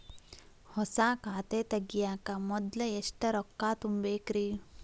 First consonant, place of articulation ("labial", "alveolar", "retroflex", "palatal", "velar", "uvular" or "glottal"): glottal